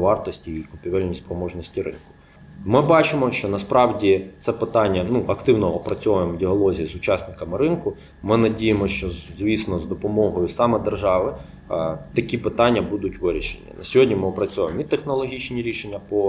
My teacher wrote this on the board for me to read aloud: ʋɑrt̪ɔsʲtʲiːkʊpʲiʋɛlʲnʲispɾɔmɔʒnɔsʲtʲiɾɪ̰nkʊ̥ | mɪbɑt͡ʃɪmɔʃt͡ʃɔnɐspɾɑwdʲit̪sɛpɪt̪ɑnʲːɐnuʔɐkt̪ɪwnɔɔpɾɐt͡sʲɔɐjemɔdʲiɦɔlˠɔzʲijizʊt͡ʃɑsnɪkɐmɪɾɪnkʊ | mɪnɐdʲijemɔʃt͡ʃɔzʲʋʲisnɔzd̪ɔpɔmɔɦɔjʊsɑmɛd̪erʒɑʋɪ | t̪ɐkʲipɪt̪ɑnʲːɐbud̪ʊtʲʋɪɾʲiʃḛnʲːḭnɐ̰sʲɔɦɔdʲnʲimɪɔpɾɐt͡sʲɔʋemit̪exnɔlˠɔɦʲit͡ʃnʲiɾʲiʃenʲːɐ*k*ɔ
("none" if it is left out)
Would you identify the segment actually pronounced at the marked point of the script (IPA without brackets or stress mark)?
p